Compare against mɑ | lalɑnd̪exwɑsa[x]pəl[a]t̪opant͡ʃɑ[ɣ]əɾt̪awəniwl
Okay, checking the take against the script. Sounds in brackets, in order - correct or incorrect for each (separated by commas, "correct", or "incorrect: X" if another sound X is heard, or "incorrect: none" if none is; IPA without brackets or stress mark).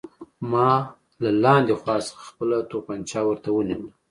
correct, correct, incorrect: w